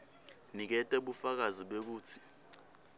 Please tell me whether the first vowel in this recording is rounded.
no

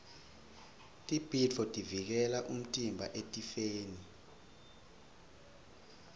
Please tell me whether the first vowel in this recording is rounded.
no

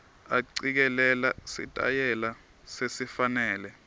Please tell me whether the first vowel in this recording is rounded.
no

